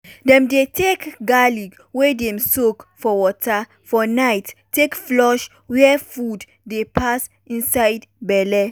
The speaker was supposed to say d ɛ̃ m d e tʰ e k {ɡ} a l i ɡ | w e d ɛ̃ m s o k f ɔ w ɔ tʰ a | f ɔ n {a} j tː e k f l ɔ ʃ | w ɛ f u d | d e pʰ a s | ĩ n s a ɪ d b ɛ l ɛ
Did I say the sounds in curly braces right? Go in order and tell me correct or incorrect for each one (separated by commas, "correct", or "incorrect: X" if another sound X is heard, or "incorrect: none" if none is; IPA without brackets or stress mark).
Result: correct, correct